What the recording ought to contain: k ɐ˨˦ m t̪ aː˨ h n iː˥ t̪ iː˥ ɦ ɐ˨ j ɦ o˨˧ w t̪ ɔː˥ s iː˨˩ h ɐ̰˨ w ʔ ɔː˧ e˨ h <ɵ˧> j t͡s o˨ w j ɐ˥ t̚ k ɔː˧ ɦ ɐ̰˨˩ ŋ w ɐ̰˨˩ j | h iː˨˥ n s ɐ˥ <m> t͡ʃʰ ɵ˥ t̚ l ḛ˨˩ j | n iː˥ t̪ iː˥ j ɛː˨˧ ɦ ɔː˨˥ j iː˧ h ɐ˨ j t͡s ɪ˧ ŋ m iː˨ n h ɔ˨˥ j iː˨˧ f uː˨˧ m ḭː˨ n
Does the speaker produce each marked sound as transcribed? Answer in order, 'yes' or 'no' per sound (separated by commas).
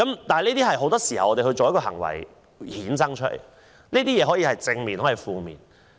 yes, no